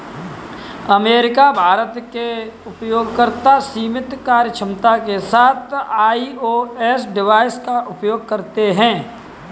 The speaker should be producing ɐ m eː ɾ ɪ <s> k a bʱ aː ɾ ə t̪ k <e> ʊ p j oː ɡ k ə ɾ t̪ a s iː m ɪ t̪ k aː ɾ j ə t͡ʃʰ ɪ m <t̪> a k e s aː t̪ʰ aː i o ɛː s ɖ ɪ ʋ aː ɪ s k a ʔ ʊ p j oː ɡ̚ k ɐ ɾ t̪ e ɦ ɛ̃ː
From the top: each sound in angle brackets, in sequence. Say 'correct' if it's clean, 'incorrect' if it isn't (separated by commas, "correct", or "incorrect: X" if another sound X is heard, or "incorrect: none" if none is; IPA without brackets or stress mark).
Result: incorrect: none, correct, correct